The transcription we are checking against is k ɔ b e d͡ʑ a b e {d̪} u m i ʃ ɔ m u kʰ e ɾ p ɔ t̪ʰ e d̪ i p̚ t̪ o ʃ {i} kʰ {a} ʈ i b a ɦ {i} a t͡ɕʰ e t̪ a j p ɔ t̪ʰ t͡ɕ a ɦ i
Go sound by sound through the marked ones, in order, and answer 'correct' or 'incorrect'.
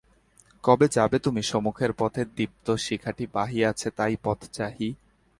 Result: incorrect, correct, correct, correct

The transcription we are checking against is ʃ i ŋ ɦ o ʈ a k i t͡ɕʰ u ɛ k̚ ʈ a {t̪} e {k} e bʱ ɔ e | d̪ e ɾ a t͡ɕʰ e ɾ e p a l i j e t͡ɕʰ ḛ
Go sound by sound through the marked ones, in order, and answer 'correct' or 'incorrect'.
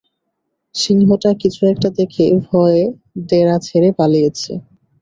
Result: incorrect, incorrect

